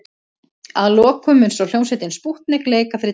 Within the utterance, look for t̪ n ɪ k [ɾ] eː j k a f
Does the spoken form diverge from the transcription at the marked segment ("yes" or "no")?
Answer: yes